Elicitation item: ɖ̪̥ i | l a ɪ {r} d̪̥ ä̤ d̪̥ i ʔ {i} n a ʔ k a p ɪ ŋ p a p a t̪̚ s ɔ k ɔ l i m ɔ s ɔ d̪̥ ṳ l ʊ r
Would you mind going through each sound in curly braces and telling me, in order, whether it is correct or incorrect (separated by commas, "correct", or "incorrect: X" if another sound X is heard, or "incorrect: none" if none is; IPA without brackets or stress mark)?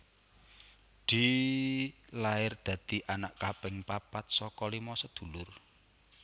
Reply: correct, incorrect: a